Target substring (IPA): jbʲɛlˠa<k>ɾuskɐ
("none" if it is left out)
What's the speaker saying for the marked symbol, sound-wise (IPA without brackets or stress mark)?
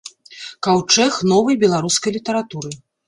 none